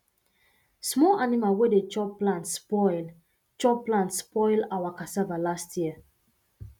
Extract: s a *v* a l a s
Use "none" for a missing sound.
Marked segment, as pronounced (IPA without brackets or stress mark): v